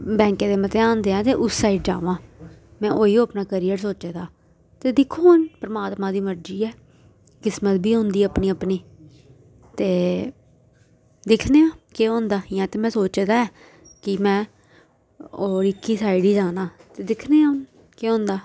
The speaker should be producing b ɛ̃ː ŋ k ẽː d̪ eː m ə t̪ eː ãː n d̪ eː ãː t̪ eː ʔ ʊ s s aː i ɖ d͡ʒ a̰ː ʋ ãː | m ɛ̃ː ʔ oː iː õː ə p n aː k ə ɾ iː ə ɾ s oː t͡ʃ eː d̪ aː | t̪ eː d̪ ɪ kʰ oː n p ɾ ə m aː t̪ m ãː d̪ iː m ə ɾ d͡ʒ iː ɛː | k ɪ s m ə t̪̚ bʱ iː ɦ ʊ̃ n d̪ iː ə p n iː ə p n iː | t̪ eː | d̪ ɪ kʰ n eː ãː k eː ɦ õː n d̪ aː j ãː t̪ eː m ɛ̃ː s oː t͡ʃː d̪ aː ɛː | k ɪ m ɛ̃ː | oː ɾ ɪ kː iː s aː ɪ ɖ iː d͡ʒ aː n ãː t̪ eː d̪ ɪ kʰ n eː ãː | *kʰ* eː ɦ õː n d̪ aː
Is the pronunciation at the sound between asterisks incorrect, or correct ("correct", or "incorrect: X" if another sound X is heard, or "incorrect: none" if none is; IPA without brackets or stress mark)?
incorrect: k